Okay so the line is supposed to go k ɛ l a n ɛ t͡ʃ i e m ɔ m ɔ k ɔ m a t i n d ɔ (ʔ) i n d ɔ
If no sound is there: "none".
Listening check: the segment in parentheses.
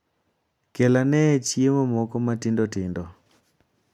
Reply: t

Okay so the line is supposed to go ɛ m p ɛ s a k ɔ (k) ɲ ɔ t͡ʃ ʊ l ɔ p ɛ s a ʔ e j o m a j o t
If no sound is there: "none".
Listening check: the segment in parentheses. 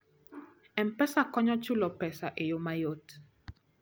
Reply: none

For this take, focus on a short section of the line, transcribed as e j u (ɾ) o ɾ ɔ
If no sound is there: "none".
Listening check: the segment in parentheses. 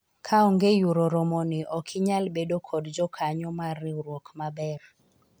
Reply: ɾ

